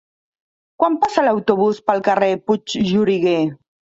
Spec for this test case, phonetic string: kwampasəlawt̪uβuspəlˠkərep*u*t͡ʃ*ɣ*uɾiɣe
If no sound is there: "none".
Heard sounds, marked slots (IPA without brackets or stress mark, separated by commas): u, ʒ